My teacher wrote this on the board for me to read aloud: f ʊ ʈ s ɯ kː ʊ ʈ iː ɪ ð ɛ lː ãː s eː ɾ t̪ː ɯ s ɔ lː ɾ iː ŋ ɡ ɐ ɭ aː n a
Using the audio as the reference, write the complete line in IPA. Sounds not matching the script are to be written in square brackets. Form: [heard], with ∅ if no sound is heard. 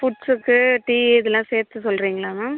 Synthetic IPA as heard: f ʊ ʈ s ɯ kː [ɯ] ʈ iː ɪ ð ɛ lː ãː s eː ɾ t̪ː ɯ s ɔ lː ɾ iː ŋ ɡ ɐ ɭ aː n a

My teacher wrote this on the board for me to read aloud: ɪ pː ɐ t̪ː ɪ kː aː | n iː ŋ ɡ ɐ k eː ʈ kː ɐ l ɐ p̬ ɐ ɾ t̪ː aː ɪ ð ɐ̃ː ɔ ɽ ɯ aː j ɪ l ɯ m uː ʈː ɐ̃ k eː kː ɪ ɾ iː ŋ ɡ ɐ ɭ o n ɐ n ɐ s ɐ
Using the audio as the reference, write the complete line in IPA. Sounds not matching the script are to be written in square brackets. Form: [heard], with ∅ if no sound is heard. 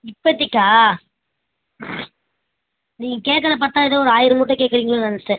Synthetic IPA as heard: ɪ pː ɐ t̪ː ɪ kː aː | n iː ŋ ɡ ɐ k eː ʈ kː ɐ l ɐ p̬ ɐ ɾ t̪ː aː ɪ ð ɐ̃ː ɔ [ɾ] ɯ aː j ɪ [ɾ] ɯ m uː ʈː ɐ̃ k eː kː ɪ ɾ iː ŋ ɡ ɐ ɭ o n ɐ n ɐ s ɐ

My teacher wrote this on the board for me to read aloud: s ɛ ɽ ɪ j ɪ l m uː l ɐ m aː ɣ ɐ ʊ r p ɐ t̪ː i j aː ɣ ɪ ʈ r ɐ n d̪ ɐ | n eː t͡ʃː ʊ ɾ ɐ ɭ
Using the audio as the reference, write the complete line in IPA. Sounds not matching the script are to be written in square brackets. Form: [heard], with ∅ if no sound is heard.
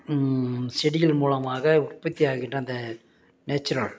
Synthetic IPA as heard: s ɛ ɽ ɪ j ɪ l m uː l ɐ m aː ɣ ɐ ʊ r p ɐ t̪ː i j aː ɣ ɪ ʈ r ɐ n d̪ ɐ | n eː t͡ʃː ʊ ɾ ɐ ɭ

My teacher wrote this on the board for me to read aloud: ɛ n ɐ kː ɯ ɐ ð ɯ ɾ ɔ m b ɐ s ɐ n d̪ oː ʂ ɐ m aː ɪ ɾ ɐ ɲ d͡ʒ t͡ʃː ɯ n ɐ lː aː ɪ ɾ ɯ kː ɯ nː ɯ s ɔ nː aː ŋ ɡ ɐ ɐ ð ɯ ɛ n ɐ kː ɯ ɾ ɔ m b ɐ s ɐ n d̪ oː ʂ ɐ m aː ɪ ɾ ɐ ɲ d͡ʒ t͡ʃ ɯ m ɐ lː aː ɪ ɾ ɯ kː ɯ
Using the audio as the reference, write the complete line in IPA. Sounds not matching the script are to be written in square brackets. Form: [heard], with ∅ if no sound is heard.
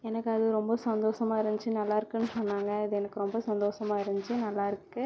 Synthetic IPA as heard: ɛ n ɐ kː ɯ ɐ ð ɯ ɾ ɔ m b ɐ s ɐ n d̪ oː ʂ ɐ m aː ɪ ɾ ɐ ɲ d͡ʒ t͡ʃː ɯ n ɐ lː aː ɪ ɾ ɯ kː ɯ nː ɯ s ɔ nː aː ŋ ɡ ɐ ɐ ð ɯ ɛ n ɐ kː ɯ ɾ ɔ m b ɐ s ɐ n d̪ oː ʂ ɐ m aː ɪ ɾ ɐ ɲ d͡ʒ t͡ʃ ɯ [n] ɐ lː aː ɪ ɾ ɯ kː ɯ

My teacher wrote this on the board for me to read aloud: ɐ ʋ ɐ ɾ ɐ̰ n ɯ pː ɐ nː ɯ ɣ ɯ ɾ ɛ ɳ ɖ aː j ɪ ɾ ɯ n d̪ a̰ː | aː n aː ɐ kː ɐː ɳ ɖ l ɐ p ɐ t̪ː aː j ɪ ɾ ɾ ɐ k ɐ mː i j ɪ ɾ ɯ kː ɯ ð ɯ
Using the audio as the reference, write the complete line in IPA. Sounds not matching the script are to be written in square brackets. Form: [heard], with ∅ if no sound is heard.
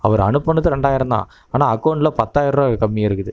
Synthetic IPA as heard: ɐ ʋ ɐ ɾ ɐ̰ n ɯ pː ɐ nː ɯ [ð] ɯ ɾ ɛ ɳ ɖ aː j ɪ ɾ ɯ n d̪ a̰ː | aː n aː ɐ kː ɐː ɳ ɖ l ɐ p ɐ t̪ː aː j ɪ ɾ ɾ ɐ k ɐ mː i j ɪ ɾ ɯ kː ɯ ð ɯ

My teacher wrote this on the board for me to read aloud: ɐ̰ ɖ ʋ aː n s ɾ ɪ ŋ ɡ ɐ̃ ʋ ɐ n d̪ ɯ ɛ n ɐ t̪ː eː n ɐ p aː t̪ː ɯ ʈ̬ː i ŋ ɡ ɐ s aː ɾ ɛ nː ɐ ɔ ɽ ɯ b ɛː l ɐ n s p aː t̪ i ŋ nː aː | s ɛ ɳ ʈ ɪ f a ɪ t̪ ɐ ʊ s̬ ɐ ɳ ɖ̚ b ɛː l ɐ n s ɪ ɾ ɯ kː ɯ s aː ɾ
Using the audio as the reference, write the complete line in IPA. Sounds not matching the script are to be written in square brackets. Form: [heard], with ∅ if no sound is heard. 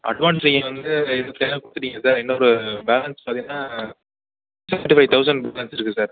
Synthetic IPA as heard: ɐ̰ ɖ ʋ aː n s ɾ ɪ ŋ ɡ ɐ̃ ʋ ɐ n d̪ ɯ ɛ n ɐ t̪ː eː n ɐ p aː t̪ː ɯ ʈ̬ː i ŋ ɡ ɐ s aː ɾ ɛ nː ɐ ɔ [ɾ] ɯ b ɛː l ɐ n s p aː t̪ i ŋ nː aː | s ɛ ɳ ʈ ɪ f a ɪ t̪ ɐ ʊ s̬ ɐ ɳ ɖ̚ b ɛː l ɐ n s ɪ ɾ ɯ kː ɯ s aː ɾ

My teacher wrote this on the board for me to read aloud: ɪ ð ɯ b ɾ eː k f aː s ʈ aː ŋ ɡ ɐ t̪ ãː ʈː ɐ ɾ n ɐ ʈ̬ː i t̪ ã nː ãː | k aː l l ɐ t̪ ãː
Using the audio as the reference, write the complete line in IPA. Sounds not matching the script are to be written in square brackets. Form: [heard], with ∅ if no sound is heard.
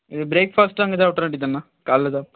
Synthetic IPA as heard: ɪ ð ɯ b ɾ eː k f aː s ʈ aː ŋ ɡ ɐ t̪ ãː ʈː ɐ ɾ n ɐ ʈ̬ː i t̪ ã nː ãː | k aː l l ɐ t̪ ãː

